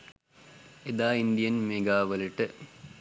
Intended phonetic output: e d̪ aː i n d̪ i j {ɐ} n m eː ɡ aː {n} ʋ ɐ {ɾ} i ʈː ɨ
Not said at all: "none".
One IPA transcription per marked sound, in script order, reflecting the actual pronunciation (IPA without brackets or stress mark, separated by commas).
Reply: ɐ, none, l